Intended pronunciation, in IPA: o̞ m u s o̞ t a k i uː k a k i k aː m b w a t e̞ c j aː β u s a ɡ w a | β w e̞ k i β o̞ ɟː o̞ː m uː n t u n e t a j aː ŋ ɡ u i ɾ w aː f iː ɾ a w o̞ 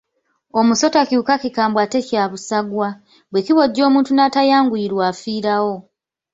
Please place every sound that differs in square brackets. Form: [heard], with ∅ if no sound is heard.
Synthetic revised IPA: o̞ m u s o̞ t a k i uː k a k i k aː m b w a t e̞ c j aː β u s a ɡ w a | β w e̞ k i β o̞ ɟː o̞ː m uː n t u n [a] t a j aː ŋ ɡ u i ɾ w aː f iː ɾ a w o̞